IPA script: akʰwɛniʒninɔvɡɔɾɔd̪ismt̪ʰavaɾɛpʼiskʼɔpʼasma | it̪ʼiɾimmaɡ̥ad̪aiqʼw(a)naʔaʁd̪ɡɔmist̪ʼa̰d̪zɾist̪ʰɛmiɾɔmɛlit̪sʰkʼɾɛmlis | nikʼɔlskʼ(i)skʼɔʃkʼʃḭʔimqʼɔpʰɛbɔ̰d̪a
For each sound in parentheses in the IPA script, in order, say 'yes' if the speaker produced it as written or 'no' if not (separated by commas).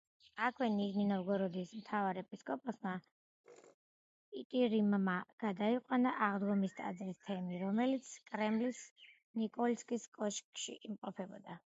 yes, yes